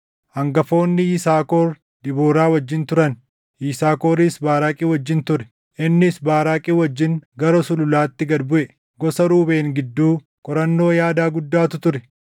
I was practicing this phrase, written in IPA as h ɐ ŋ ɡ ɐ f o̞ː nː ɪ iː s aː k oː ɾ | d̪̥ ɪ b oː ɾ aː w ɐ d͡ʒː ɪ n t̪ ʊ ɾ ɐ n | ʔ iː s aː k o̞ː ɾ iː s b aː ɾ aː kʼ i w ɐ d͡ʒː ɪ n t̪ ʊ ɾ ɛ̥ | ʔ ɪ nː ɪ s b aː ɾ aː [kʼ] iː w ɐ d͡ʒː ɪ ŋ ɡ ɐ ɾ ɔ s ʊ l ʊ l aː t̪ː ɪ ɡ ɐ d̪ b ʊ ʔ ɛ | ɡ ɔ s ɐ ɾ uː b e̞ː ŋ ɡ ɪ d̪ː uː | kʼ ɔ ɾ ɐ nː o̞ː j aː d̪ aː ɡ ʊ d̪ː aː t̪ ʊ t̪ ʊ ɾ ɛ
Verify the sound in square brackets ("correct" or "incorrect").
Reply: correct